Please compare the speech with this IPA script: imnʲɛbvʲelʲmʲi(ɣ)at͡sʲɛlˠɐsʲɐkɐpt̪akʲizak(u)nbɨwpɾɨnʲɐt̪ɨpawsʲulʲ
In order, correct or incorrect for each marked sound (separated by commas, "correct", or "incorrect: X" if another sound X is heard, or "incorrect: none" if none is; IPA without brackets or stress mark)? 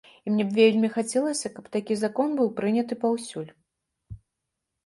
incorrect: x, incorrect: ɔ